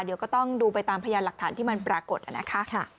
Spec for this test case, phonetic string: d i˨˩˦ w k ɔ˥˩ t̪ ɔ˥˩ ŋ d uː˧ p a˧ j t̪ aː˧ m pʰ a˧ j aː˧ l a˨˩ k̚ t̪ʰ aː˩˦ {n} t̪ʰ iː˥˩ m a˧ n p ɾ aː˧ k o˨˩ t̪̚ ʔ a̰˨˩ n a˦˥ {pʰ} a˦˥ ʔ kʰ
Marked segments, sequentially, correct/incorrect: correct, incorrect

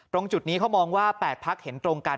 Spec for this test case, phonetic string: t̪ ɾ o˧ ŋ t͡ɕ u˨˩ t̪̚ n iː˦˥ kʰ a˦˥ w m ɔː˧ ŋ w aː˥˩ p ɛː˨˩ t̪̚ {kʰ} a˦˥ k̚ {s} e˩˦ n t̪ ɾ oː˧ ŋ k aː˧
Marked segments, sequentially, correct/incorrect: incorrect, incorrect

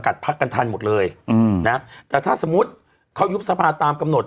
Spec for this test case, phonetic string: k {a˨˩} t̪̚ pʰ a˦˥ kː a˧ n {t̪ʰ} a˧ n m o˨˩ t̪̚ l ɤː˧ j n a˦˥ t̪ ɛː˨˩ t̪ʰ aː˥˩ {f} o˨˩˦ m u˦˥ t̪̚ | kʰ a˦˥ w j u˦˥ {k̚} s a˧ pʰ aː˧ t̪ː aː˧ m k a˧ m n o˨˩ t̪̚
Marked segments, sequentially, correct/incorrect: correct, correct, incorrect, incorrect

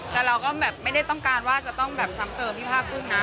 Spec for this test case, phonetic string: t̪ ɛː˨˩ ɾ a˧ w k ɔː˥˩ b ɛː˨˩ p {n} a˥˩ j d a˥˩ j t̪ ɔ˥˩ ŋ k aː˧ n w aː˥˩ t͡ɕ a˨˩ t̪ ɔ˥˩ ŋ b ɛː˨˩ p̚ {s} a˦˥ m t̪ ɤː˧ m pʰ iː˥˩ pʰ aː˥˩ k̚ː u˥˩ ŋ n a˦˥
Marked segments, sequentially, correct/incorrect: incorrect, correct

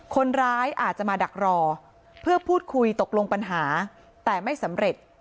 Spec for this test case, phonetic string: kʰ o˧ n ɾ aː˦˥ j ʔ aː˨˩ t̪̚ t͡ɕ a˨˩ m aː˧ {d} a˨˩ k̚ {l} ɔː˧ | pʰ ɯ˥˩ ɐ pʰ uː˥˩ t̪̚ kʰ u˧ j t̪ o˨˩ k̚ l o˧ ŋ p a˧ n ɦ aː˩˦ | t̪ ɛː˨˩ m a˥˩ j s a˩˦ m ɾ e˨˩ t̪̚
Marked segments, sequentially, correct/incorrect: correct, incorrect

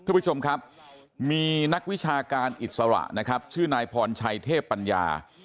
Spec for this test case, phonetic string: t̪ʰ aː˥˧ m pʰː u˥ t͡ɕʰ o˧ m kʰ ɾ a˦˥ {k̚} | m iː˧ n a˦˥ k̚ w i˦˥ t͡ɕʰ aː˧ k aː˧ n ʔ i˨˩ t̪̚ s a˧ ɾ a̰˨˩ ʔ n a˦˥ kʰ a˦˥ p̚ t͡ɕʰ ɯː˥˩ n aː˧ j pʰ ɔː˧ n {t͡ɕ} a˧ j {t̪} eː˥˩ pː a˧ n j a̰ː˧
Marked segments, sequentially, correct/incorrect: incorrect, incorrect, incorrect

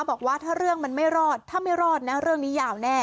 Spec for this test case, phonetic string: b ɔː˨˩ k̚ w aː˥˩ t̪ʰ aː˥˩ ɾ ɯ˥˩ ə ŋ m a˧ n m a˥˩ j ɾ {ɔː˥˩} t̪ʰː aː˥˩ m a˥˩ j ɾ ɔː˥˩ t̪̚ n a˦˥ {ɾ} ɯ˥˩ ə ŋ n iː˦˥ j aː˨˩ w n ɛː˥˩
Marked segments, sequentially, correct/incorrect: correct, correct

